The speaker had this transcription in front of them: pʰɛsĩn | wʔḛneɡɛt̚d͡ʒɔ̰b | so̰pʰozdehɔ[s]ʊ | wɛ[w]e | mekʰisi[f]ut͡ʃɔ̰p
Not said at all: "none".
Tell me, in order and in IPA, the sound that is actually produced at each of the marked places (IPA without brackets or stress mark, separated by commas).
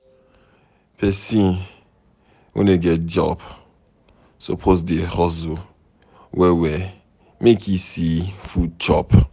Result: z, w, f